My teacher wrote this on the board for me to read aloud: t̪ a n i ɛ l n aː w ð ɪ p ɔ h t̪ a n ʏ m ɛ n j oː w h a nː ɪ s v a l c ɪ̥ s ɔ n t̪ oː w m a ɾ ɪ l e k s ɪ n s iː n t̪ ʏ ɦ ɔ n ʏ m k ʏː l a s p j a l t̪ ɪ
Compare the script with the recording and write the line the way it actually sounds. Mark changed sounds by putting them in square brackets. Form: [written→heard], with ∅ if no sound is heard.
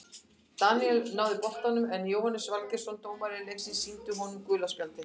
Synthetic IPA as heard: t̪ a n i ɛ l n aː w ð ɪ p ɔ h t̪ a n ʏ m ɛ n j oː w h a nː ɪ s v a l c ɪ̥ s ɔ n t̪ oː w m a ɾ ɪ l e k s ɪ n s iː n t̪ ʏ ɦ ɔ n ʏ m k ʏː l a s p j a l t̪ ɪ

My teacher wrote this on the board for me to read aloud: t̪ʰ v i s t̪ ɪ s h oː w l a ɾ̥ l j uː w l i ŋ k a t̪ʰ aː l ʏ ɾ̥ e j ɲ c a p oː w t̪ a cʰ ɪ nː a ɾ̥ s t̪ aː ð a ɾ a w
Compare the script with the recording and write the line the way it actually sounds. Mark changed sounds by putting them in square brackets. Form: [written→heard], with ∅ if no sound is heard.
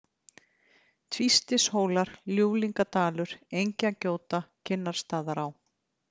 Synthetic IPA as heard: t̪ʰ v i s t̪ ɪ s h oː w l a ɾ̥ l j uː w l i ŋ k a [t̪ʰ→t̪] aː l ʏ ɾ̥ e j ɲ c a [p→c] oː w t̪ a cʰ ɪ nː a ɾ̥ s t̪ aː ð a ɾ a w

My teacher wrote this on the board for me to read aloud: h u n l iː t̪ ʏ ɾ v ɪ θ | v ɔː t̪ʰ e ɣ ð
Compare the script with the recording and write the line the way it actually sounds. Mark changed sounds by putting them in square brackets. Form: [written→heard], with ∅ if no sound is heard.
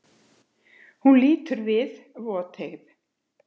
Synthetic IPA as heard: h u n l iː t̪ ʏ ɾ v ɪ [θ→ð] | v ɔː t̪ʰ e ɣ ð

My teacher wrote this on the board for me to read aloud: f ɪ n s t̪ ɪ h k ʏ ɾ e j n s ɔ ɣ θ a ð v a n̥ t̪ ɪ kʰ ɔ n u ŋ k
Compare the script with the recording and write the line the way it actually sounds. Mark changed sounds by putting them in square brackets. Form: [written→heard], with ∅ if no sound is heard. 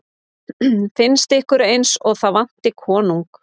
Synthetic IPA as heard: f ɪ n s t̪ ɪ h k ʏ ɾ e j n s ɔ ɣ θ a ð v a n̥ t̪ ɪ kʰ [ɔ→ɔː] n u ŋ k

